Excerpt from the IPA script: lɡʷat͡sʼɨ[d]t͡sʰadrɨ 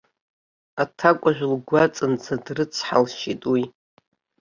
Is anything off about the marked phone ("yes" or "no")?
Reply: yes